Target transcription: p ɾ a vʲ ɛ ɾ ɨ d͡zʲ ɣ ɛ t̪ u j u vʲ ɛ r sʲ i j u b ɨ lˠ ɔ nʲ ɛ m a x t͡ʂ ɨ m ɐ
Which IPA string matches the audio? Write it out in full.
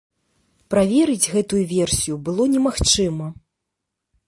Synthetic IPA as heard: p ɾ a vʲ ɛ ɾ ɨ d͡zʲ ɣ ɛ t̪ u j u vʲ ɛ r sʲ i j u b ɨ lˠ ɔ nʲ ɛ m a x t͡ʂ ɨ m ɐ